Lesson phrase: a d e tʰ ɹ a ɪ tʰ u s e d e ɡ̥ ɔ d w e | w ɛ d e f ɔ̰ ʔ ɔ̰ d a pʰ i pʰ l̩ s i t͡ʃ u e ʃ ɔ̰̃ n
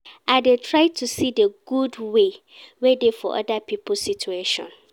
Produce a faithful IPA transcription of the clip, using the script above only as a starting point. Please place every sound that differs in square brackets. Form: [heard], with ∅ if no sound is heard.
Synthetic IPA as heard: a d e tʰ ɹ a ɪ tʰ u s [i] d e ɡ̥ [u] d w e | w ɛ d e f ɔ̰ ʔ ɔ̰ d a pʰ i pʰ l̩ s i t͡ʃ u e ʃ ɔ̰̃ n